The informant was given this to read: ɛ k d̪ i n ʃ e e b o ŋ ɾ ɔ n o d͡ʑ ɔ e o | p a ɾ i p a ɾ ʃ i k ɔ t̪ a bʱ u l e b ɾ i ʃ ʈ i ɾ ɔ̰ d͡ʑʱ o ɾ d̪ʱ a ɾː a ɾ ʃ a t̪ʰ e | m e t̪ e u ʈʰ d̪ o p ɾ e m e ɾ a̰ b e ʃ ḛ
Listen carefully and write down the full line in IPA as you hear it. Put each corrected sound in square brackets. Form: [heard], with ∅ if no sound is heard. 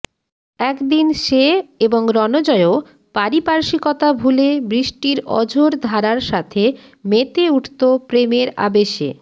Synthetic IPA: ɛ k d̪ i n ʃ e e b o ŋ ɾ ɔ n o d͡ʑ ɔ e o | p a ɾ i p a ɾ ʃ i k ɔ t̪ a bʱ u l e b ɾ i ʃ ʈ i ɾ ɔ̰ d͡ʑʱ o ɾ d̪ʱ a [ɾ] a ɾ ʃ a t̪ʰ e | m e t̪ e u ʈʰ [t̪] o p ɾ e m e ɾ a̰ b e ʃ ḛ